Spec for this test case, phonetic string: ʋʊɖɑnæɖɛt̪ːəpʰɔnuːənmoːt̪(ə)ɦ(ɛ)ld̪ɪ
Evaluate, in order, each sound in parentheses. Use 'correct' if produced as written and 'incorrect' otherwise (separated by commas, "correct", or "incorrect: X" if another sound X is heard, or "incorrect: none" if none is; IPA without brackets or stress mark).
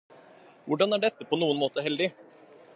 correct, correct